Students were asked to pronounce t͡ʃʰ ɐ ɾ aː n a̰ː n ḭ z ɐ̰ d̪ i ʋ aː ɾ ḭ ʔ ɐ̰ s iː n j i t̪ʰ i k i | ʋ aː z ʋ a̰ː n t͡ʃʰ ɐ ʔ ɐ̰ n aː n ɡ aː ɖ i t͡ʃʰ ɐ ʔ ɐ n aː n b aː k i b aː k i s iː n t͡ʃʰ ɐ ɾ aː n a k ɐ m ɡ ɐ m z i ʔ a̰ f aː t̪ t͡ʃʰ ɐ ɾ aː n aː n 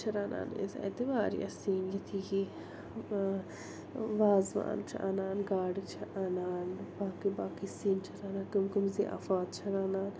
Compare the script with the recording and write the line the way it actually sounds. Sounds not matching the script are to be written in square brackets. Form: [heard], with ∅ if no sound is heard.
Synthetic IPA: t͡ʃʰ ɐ ɾ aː n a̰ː n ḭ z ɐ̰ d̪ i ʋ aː ɾ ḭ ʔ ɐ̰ s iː n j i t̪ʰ i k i | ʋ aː z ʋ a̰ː n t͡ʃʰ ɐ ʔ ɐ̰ n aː n ɡ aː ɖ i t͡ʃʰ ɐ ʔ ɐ n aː n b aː k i b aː k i s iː n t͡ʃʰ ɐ ɾ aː n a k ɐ m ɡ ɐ m z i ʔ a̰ f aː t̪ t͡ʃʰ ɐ ɾ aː n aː n